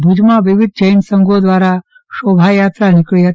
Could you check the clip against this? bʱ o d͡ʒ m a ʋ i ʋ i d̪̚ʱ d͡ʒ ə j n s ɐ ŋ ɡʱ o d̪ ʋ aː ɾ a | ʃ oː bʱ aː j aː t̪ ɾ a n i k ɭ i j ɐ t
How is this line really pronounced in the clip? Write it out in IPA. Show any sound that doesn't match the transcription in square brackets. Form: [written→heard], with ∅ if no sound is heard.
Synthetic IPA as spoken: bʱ [o→u] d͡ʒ m a ʋ i ʋ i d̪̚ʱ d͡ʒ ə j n s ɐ ŋ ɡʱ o d̪ ʋ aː ɾ a | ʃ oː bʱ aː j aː t̪ ɾ a n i k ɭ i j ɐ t